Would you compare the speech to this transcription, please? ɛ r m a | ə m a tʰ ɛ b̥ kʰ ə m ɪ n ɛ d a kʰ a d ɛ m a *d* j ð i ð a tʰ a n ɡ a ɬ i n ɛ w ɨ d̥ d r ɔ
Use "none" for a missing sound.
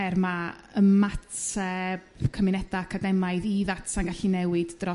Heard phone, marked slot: none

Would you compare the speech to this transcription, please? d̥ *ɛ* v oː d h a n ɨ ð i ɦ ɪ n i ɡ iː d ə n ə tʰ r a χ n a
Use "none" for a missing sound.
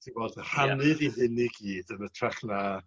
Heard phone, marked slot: i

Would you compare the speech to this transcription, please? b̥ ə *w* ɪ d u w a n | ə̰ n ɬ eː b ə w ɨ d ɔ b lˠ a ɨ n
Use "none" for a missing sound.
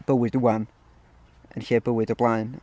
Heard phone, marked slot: w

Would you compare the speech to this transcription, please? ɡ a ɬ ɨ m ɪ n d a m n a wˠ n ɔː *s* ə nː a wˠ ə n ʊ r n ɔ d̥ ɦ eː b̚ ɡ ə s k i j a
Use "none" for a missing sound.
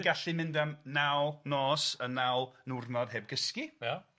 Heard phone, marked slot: s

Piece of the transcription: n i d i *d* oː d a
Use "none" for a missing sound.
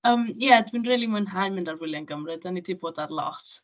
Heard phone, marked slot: b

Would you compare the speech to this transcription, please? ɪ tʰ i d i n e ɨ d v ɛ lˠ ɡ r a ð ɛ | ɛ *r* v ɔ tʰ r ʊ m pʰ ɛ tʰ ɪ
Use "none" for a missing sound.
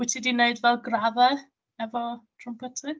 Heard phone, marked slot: none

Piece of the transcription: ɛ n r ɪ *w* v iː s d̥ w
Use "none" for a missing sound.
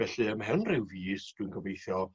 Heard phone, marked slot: w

